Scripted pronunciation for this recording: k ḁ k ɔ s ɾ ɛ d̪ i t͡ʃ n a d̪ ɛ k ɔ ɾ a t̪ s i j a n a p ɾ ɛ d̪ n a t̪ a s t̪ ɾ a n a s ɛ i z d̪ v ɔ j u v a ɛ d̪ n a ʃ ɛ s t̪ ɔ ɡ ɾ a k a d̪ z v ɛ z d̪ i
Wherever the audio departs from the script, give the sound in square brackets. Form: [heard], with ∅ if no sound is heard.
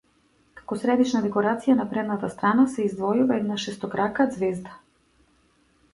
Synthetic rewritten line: k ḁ k ɔ s ɾ ɛ d̪ i t͡ʃ n a d̪ ɛ k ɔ ɾ a t̪ s i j a n a p ɾ ɛ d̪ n a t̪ a s t̪ ɾ a n a s ɛ i z d̪ v ɔ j u v a ɛ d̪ n a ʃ ɛ s t̪ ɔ [k] ɾ a k a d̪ z v ɛ z d̪ [a]